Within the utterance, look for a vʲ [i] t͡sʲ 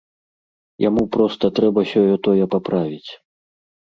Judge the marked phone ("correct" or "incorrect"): correct